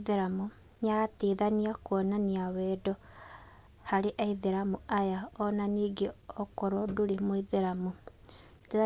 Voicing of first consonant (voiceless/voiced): voiced